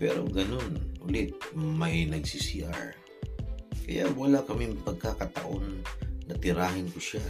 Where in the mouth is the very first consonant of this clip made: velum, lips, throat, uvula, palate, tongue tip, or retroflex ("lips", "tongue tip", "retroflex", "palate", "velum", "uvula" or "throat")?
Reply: lips